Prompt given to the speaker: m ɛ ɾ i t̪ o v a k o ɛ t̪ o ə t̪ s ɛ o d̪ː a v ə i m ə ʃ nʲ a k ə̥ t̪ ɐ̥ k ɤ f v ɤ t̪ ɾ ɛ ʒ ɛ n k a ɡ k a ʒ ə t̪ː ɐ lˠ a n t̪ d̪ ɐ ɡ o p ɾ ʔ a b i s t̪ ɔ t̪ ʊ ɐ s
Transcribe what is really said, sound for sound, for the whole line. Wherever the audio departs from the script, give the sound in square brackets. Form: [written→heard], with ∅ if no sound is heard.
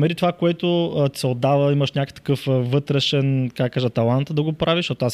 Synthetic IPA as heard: m ɛ ɾ i t̪ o v a k o ɛ t̪ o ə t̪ s ɛ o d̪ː a v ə i m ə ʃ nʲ a k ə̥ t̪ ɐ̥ k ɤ f v ɤ t̪ ɾ ɛ [ʒ→ʃ] ɛ n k a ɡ k a ʒ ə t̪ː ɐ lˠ a n t̪ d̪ ɐ ɡ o p ɾ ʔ a [b→v] i [s→ʃ] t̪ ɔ t̪ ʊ [ɐ→a] s